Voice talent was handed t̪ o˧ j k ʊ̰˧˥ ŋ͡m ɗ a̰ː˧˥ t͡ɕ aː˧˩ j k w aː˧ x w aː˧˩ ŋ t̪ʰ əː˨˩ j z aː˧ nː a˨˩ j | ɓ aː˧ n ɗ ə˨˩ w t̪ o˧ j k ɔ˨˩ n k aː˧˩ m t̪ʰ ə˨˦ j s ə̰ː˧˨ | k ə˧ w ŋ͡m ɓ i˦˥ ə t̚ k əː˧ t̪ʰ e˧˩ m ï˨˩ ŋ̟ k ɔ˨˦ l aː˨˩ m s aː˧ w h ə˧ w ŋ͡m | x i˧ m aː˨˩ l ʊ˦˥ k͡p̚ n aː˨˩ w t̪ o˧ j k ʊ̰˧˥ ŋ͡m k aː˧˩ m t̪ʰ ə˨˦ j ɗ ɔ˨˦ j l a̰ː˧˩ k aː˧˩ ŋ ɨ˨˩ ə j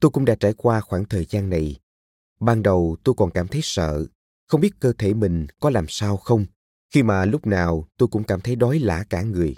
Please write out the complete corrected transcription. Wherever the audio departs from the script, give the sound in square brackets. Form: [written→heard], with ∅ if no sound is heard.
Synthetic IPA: t̪ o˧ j k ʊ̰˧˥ ŋ͡m ɗ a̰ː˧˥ t͡ɕ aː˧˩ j k w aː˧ x w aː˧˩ ŋ t̪ʰ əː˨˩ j z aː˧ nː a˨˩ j | ɓ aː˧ n ɗ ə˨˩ w t̪ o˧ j k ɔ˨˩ n k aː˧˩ m t̪ʰ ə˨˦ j s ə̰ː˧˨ | [k→x] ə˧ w ŋ͡m ɓ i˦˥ ə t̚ k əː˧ t̪ʰ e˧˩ m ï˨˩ ŋ̟ k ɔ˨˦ l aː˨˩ m s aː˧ w [h→x] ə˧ w ŋ͡m | x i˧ m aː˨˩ l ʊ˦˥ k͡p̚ n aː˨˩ w t̪ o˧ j k ʊ̰˧˥ ŋ͡m k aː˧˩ m t̪ʰ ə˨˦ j ɗ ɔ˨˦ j l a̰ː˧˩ k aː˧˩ ŋ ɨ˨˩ ə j